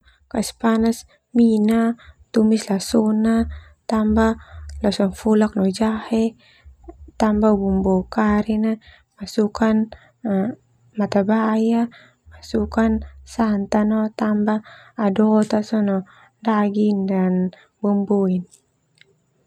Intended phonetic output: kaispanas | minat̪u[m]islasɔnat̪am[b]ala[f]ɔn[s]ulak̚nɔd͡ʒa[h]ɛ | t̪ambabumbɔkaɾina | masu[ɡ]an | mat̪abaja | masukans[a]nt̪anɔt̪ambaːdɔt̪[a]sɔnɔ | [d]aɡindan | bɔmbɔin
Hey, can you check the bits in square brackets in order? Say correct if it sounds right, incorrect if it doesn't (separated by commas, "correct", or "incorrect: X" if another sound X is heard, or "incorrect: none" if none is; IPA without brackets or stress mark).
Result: correct, correct, incorrect: s, incorrect: f, correct, incorrect: k, correct, correct, correct